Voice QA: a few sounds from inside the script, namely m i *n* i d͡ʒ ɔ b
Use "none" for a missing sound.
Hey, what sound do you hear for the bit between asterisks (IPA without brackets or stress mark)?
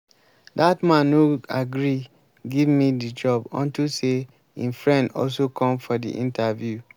d